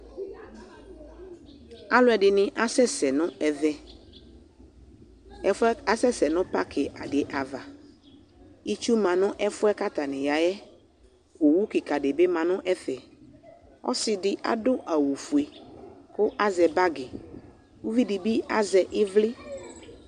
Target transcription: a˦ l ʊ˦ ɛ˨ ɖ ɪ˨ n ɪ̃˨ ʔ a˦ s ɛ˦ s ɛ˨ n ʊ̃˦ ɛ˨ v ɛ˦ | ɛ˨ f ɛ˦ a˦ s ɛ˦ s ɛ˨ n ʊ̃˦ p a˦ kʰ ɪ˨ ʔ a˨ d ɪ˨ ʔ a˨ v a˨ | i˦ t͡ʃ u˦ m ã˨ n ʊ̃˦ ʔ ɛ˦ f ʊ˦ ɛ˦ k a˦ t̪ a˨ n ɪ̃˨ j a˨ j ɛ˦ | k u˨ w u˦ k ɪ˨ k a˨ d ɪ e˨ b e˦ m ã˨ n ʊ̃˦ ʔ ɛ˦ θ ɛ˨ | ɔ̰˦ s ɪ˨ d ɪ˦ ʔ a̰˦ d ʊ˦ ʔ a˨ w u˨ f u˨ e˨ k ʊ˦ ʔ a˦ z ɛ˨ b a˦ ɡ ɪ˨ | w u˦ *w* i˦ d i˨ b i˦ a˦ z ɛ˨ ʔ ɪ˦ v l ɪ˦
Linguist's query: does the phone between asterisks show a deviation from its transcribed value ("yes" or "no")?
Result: yes